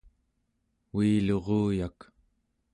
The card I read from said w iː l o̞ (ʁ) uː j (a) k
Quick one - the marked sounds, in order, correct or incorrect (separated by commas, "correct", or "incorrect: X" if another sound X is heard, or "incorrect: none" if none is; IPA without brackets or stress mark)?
correct, correct